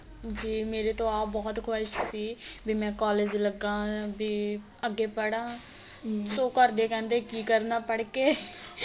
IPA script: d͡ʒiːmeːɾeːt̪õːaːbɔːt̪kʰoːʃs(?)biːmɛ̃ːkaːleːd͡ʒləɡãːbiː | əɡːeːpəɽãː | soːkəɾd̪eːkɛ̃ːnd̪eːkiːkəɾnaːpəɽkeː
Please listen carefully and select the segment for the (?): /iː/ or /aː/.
iː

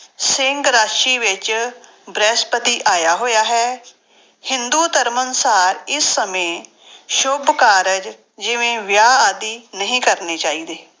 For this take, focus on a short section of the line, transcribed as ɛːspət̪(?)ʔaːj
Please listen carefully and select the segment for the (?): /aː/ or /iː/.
iː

